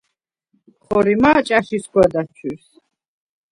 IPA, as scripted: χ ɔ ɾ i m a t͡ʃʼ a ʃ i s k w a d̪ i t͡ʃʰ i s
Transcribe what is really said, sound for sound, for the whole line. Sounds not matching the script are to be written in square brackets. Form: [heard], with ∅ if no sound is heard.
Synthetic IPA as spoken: χ ɔ ɾ i m a t͡ʃʼ a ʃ i s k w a d̪ [a] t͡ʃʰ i s